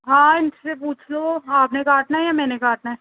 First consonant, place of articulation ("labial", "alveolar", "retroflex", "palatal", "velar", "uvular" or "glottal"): glottal